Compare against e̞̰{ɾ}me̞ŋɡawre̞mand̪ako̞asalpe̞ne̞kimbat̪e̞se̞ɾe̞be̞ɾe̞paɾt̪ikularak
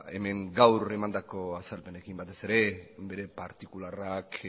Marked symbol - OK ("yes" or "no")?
no